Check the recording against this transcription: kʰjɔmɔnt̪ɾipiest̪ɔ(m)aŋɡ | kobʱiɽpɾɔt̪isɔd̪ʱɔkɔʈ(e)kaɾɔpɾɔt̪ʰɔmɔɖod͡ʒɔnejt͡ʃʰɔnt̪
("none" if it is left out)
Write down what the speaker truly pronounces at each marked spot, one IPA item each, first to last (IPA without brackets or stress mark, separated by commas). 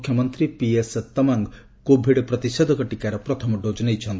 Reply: m, i